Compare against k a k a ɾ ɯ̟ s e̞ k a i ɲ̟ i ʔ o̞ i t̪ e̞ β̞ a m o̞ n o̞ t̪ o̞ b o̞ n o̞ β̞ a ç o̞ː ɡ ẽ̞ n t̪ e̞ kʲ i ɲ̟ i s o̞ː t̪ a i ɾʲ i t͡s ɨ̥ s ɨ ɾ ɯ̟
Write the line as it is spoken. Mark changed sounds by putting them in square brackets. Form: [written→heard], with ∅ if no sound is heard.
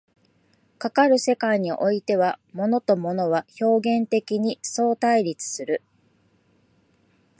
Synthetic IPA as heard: k a k a ɾ ɯ̟ s e̞ k a i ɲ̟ i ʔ o̞ i t̪ e̞ β̞ a m o̞ n o̞ t̪ o̞ [b→m] o̞ n o̞ β̞ a ç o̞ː ɡ ẽ̞ n t̪ e̞ kʲ i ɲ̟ i s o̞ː t̪ a i ɾʲ i t͡s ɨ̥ s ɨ ɾ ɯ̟